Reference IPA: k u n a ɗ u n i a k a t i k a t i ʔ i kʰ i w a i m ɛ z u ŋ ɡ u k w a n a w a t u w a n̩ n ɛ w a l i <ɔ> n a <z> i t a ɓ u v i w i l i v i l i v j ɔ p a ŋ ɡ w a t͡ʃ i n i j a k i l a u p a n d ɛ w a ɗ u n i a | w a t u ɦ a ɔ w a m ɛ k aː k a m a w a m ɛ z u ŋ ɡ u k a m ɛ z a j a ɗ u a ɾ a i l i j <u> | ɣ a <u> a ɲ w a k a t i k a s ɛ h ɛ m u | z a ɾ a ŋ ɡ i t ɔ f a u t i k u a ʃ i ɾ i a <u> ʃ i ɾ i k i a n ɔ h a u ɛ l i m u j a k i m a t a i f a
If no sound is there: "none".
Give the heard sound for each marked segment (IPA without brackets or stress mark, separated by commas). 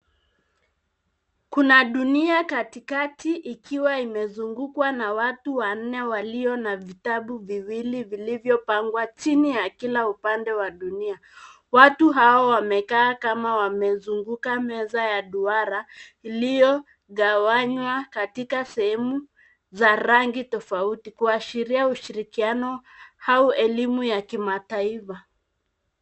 ɔ, v, ɔ, w, u